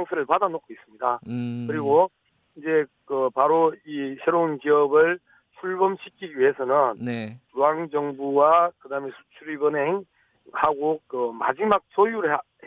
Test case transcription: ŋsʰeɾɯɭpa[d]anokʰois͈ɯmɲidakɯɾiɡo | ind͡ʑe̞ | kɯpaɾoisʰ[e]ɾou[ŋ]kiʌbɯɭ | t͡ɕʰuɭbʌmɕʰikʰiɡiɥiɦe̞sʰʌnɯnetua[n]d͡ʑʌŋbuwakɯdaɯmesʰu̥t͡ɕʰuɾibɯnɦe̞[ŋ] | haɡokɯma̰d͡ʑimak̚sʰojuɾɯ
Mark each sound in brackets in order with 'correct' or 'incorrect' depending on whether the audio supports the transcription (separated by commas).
correct, correct, incorrect, incorrect, correct